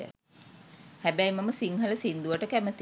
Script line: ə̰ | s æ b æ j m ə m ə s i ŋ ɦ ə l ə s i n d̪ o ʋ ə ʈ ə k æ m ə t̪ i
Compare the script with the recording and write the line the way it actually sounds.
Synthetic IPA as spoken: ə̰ | h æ b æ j m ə m ə s i ŋ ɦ ə l ə s i n d̪ u ʋ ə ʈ ə k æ m ə t̪ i